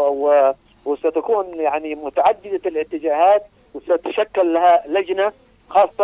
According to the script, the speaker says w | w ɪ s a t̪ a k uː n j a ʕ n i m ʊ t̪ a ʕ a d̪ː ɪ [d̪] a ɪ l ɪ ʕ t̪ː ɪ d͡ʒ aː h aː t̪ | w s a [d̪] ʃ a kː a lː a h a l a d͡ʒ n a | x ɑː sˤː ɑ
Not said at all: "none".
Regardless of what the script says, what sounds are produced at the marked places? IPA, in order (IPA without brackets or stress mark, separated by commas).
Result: d̪, t̪